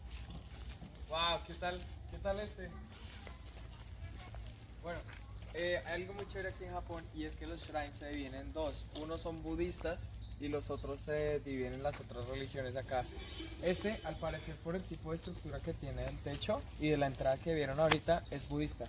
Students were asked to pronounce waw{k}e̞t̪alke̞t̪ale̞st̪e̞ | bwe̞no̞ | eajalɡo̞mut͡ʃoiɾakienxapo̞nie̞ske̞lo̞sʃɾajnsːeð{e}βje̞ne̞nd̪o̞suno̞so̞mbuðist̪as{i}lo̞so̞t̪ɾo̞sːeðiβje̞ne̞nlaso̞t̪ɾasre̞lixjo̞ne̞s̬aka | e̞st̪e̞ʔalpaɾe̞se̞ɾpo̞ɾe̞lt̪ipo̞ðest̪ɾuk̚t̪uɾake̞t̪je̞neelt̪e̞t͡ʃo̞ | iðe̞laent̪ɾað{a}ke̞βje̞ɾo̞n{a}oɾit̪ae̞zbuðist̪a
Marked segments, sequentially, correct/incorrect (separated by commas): correct, incorrect, correct, correct, correct